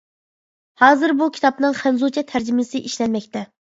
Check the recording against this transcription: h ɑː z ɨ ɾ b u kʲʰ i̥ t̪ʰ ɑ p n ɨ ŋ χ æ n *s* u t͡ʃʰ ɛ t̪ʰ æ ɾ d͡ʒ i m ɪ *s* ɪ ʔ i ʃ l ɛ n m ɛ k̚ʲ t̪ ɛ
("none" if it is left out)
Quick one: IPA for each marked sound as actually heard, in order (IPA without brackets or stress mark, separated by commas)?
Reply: z, s